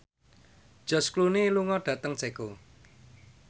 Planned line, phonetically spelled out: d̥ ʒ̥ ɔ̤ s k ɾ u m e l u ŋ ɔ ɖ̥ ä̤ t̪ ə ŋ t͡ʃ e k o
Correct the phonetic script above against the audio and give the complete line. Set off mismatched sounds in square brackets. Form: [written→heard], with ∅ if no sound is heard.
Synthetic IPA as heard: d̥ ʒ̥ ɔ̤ s k [ɾ→l] u [m→n] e l u ŋ ɔ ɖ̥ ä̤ t̪ ə ŋ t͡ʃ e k o

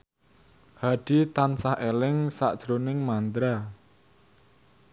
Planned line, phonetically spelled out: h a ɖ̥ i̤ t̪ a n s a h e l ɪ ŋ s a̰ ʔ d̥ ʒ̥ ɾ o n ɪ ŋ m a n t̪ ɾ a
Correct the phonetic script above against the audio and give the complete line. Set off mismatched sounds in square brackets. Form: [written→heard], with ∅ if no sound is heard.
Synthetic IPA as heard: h a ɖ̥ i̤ t̪ a n s a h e l ɪ ŋ s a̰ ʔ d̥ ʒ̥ ɾ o n ɪ ŋ m a n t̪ ɾ a

